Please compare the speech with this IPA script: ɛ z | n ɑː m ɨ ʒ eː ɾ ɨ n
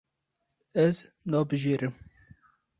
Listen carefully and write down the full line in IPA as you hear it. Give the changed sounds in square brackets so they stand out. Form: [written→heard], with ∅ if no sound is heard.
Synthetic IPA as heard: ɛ z | n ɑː [m→b] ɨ ʒ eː ɾ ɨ [n→m]

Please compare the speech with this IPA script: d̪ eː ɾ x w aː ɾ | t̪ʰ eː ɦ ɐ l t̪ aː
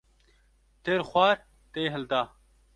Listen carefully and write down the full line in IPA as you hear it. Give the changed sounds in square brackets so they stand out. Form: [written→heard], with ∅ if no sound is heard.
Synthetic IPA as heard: [d̪→t̪] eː ɾ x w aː ɾ | [t̪ʰ→t̪] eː ɦ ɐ l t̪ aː

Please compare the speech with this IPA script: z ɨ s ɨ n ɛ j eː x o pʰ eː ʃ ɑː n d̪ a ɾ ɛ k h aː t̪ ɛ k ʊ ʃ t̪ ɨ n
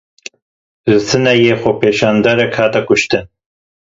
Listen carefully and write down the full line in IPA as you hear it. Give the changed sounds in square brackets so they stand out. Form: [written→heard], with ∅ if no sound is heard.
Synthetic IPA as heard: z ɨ s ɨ n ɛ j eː x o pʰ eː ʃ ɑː n d̪ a ɾ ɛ k h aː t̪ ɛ k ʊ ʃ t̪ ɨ n

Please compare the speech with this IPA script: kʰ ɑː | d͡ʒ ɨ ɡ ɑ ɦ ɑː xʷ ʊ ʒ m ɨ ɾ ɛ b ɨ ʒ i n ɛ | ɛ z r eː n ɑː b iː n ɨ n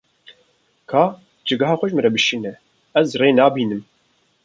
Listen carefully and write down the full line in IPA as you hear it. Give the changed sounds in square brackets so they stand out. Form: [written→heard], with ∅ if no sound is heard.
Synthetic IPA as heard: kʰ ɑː | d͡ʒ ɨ ɡ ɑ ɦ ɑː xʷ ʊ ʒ m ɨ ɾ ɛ b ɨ [ʒ→ʃ] i n ɛ | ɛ z r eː n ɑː b iː n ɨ [n→m]

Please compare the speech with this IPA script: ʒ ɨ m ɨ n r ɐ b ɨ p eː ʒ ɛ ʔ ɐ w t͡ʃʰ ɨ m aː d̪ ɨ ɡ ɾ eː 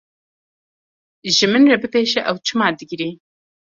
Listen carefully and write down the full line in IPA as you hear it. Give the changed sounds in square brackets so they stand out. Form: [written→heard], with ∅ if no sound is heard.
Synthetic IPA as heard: ʒ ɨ m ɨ n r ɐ b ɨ p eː [ʒ→ʃ] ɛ ʔ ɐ w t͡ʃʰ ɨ m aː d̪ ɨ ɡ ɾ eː

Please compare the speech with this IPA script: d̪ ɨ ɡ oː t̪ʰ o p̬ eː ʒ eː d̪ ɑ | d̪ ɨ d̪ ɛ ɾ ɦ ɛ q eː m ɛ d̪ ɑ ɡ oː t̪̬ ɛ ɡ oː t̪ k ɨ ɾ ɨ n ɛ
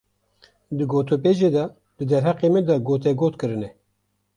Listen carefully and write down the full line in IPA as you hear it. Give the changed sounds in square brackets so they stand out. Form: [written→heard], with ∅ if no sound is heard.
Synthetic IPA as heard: d̪ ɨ ɡ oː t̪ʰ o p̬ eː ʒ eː d̪ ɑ | d̪ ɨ d̪ ɛ ɾ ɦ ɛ q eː m ɛ d̪ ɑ ɡ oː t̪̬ ɛ ɡ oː t̪ k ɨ ɾ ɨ n ɛ

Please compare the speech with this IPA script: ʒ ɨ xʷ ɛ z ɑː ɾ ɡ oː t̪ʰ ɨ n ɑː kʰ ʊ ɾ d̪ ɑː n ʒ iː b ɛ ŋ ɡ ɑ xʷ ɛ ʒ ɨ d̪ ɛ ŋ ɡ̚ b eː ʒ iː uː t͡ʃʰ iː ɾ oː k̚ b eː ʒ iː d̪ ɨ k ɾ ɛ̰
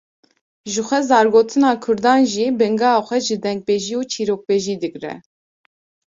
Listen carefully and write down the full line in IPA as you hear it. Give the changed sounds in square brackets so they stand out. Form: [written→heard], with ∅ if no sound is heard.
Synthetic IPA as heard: ʒ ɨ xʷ ɛ z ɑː ɾ ɡ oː t̪ʰ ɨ n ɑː kʰ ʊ ɾ d̪ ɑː n ʒ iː b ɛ ŋ ɡ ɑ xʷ ɛ ʒ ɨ d̪ ɛ ŋ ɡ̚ b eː ʒ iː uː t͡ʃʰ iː ɾ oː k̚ b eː ʒ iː d̪ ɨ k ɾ ɛ̰

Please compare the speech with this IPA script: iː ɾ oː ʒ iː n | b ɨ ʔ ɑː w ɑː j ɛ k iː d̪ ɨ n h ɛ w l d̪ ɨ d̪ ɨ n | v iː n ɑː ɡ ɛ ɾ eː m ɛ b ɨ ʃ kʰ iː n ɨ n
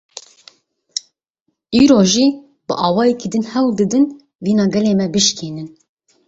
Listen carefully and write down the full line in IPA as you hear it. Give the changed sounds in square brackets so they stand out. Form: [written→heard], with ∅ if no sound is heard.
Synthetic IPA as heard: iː ɾ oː ʒ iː [n→∅] | b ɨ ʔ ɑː w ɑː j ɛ k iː d̪ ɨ n h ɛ w l d̪ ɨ d̪ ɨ n | v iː n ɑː ɡ ɛ [ɾ→l] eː m ɛ b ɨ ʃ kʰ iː n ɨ n

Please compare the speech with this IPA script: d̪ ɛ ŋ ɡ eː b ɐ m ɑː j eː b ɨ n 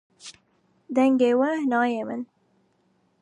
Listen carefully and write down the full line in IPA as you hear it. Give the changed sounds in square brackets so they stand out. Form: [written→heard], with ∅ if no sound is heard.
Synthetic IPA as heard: d̪ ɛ ŋ ɡ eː [b→w] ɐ [m→n] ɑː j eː [b→m] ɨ n

